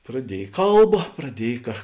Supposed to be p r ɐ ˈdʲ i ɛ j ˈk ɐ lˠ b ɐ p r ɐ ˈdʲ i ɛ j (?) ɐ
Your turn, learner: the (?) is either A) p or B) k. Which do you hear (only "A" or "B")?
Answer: B